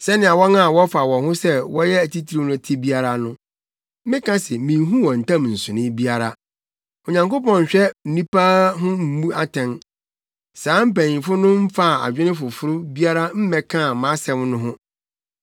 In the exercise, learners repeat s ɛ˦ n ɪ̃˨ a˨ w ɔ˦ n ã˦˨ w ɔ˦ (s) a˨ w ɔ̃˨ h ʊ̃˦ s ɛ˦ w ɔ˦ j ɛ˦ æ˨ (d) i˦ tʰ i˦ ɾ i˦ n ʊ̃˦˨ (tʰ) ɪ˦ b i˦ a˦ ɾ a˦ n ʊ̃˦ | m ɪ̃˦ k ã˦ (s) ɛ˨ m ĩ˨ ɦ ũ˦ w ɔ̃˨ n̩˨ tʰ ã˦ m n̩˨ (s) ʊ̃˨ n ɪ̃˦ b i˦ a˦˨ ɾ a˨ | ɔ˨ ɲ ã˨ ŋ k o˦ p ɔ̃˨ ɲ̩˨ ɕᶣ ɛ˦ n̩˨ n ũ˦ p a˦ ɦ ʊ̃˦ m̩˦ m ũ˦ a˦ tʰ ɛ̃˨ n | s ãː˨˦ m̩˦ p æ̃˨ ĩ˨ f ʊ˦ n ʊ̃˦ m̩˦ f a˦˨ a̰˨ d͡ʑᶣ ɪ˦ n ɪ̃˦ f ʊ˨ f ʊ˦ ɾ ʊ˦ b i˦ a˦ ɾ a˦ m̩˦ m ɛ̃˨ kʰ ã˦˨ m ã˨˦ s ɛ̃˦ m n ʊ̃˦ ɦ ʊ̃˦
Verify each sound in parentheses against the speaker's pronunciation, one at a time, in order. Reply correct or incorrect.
incorrect: f, incorrect: t, correct, correct, correct

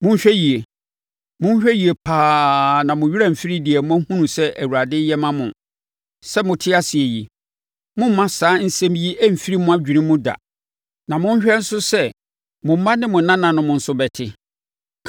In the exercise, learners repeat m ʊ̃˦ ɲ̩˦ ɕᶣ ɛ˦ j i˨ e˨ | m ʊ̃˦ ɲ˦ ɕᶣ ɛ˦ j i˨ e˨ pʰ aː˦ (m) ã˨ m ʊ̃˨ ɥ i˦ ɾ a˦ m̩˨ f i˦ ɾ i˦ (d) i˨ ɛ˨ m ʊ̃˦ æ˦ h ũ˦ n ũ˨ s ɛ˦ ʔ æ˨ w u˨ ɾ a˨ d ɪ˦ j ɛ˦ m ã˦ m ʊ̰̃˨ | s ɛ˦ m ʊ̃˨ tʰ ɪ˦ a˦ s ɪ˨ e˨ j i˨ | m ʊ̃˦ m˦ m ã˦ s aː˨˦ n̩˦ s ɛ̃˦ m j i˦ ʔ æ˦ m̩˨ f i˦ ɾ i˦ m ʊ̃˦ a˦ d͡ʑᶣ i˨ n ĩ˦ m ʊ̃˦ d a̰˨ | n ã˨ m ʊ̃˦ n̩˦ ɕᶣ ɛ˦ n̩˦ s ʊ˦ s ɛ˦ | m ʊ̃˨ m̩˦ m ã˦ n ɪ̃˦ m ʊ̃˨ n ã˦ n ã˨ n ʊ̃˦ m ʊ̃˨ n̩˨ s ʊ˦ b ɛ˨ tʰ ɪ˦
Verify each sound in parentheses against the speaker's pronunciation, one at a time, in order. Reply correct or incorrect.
incorrect: n, correct

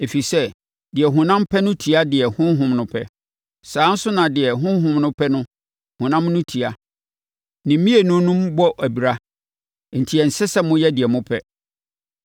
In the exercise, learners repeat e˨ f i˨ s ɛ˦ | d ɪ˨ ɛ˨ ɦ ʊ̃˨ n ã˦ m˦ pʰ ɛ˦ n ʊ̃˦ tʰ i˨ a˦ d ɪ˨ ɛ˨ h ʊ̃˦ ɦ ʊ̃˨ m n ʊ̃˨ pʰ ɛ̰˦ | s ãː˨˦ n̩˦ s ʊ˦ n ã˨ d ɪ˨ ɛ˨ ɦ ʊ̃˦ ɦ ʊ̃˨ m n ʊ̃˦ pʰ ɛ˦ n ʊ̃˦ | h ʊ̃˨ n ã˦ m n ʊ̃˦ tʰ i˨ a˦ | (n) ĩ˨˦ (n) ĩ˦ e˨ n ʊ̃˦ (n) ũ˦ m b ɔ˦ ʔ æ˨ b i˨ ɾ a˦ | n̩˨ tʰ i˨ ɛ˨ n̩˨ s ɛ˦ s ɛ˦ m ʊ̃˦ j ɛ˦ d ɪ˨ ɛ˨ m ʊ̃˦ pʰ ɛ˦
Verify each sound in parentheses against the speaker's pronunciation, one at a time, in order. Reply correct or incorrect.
correct, incorrect: m, correct

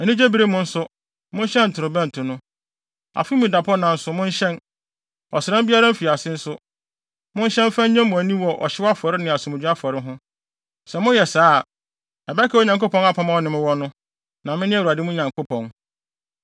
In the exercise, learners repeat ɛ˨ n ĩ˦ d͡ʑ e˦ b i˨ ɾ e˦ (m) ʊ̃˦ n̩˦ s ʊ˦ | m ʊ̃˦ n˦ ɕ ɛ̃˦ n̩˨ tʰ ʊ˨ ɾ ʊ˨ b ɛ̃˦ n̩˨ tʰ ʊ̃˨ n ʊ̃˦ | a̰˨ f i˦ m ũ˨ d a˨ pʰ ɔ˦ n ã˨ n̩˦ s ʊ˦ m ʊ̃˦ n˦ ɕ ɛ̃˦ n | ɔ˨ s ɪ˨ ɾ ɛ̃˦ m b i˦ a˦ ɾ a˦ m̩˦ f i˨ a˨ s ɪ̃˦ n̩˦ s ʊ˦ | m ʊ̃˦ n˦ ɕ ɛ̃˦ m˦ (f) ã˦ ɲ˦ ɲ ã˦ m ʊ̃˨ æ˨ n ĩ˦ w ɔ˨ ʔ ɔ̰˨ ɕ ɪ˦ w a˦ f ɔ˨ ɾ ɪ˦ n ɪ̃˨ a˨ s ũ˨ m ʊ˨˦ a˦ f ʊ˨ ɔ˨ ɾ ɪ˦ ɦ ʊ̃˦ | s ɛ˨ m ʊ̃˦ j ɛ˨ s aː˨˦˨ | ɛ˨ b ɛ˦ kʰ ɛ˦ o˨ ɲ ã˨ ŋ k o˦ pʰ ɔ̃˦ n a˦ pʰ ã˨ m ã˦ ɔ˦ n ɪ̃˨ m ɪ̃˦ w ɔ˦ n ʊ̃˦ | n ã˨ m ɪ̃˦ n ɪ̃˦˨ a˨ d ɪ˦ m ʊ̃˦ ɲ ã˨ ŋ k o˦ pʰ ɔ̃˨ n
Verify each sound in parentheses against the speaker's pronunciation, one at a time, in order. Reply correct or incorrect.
correct, correct

